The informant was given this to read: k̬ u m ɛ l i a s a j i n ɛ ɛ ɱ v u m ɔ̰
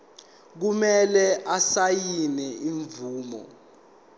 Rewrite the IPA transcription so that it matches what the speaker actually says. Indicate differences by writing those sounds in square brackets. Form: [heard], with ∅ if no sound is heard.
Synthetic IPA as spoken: k̬ u m ɛ l [ɛ] a s a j i n ɛ [i] ɱ v [uː] m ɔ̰

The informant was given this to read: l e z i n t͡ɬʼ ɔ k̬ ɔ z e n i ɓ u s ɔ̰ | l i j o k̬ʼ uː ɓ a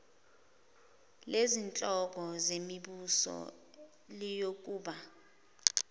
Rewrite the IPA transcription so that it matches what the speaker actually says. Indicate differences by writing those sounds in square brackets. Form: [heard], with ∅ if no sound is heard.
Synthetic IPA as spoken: l e z i n t͡ɬʼ ɔ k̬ ɔ z e [m] i ɓ u s ɔ̰ | l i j o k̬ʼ uː ɓ a

